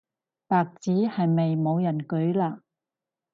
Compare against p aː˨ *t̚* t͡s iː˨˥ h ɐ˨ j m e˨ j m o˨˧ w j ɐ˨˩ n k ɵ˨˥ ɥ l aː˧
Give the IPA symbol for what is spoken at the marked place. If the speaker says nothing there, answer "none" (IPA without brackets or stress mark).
k̚